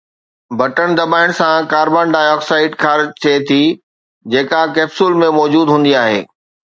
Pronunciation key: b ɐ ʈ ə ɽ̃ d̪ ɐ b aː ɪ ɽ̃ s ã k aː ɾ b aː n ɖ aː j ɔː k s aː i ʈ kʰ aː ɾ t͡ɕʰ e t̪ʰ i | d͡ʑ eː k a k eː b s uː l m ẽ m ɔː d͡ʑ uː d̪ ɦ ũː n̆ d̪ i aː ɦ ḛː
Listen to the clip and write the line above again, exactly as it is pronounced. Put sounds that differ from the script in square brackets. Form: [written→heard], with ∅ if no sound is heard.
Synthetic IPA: b ɐ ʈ ə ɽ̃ d̪ ɐ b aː ɪ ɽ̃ s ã k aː ɾ b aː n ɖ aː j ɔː k s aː [i→ɪ] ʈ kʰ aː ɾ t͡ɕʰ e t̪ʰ i | d͡ʑ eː k a k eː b s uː l m ẽ m ɔː d͡ʑ uː d̪ ɦ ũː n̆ d̪ i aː ɦ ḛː